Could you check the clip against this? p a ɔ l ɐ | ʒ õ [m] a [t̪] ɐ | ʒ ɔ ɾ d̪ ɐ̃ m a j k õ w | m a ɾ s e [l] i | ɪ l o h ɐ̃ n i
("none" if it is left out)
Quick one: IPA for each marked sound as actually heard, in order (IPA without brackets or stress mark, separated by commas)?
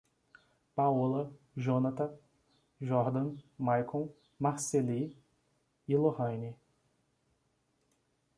n, t̪, l